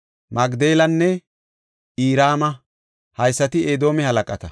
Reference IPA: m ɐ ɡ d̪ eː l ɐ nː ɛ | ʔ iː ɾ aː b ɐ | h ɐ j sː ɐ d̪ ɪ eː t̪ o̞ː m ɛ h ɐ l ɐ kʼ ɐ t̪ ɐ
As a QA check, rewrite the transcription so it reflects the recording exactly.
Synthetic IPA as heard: m ɐ ɡ d̪ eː l ɐ nː ɛ | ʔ iː ɾ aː m ɐ | h ɐ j sː ɐ t̪ ɪ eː d̪ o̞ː m ɛ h ɐ l ɐ kʼ ɐ t̪ ɐ